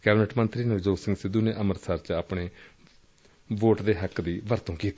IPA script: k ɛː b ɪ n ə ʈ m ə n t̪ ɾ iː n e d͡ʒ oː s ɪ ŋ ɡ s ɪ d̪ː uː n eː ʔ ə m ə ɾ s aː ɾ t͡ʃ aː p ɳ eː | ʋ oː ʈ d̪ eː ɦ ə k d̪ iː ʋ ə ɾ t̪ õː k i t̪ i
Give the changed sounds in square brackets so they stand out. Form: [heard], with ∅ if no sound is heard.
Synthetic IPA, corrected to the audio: k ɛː b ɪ n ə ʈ m ə n t̪ ɾ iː n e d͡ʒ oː s ɪ ŋ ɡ s ɪ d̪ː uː n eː ʔ ə m ə ɾ s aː ɾ t͡ʃ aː p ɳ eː | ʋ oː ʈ d̪ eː ɦ ə k d̪ iː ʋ ə ɾ t̪ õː k [iː] t̪ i

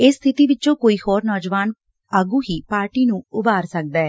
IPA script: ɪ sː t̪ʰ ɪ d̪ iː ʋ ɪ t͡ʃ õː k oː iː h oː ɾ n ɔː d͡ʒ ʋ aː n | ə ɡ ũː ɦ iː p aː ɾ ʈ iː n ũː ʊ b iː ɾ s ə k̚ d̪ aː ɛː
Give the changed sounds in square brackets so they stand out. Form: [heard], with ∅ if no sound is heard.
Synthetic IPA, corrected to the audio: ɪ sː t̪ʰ ɪ [t̪] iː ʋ ɪ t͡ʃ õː k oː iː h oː ɾ n ɔː d͡ʒ ʋ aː n | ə ɡ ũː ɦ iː p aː ɾ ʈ iː n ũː ʊ b [aː] ɾ s ə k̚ d̪ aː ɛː

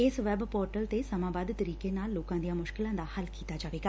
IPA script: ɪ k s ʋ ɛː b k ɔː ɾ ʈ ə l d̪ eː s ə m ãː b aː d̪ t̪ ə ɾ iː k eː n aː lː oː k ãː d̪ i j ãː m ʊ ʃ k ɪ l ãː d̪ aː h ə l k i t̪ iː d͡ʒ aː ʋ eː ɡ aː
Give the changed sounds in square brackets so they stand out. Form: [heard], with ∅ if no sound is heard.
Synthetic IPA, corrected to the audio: ɪ [∅] s ʋ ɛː b [p] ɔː ɾ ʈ ə l [t̪] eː s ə m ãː b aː d̪ t̪ ə ɾ iː k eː n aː lː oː k ãː d̪ i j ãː m ʊ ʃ k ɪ l ãː d̪ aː h ə l k [iː] t̪ [aː] d͡ʒ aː ʋ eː ɡ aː

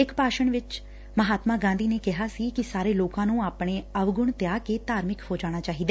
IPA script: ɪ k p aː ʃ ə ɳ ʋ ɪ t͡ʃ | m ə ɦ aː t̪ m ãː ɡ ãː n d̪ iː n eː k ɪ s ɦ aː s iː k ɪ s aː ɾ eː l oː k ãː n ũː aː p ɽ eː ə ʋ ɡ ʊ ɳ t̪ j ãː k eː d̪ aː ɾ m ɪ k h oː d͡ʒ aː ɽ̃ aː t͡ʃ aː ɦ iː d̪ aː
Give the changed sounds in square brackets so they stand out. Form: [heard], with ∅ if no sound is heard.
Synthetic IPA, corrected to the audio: ɪ k p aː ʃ ə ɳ ʋ ɪ t͡ʃ | m ə ɦ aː t̪ m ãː ɡ ãː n d̪ iː n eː k ɪ [∅] ɦ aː s iː k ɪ s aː ɾ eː l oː k ãː n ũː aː p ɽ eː ə ʋ ɡ ʊ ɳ t̪ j [aː] k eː [t̪] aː ɾ m ɪ k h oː d͡ʒ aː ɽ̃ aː t͡ʃ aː ɦ iː d̪ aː

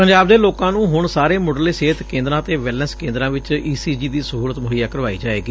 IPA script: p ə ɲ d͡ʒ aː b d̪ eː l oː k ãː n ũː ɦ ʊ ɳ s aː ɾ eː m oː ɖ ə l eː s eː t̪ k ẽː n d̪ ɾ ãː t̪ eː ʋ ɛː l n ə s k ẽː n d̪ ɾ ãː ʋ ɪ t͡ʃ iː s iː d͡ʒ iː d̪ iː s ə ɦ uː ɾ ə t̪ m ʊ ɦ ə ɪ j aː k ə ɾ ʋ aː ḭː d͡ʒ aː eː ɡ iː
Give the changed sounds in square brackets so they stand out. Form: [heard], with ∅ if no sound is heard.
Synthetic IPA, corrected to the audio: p ə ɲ d͡ʒ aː b d̪ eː l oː k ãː n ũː ɦ ʊ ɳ s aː ɾ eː m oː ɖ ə l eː s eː t̪ k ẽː n d̪ ɾ ãː t̪ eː ʋ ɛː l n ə s k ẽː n d̪ ɾ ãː ʋ ɪ t͡ʃ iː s iː d͡ʒ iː d̪ iː s ə ɦ uː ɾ ə t̪ m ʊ ɦ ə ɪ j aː k ə ɾ ʋ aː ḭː d͡ʒ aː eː ɡ iː

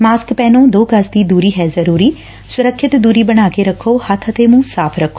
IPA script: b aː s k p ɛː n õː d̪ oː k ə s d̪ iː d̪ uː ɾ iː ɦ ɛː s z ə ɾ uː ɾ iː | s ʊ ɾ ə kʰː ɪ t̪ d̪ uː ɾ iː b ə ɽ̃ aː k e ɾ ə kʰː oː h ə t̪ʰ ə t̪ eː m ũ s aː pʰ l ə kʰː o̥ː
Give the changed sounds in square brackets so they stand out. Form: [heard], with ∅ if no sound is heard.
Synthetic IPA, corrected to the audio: [m] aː s k p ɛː n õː d̪ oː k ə s d̪ iː d̪ uː ɾ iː ɦ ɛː [∅] z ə ɾ uː ɾ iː | s ʊ ɾ ə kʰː ɪ t̪ d̪ uː ɾ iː b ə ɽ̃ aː k e ɾ ə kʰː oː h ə t̪ʰ ə t̪ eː m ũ s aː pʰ [ɾ] ə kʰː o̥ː

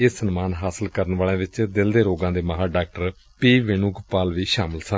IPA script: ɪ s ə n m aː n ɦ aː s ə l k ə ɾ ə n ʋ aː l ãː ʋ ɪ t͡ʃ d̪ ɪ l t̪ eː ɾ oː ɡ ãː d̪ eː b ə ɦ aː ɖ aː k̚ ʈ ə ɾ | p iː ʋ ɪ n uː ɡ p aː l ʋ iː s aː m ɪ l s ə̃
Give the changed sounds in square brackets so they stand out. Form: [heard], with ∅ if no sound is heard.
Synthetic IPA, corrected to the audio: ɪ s ə n m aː n ɦ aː s ə l k ə ɾ ə n ʋ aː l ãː ʋ ɪ t͡ʃ d̪ ɪ l [d̪] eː ɾ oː ɡ ãː d̪ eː [m] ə ɦ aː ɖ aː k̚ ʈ ə ɾ | p iː ʋ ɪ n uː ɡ p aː l ʋ iː [ʃ] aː m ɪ l s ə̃

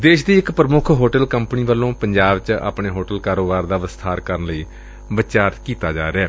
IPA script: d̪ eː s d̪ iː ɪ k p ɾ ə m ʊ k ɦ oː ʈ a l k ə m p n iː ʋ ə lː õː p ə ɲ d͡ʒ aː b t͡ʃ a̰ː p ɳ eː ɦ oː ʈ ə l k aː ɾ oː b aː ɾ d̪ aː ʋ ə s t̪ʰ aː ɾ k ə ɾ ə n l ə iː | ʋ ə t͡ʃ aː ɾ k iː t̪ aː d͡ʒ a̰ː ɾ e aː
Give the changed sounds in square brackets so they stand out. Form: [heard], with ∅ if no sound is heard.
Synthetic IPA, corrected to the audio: d̪ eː [ʃ] d̪ iː ɪ k p ɾ ə m ʊ [kʰ] ɦ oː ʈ [ə] l k ə m p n iː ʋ ə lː õː p ə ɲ d͡ʒ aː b t͡ʃ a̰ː p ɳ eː ɦ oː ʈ ə l k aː ɾ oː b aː ɾ d̪ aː ʋ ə s t̪ʰ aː ɾ k ə ɾ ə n l ə iː | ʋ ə t͡ʃ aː ɾ k iː t̪ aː d͡ʒ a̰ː ɾ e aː

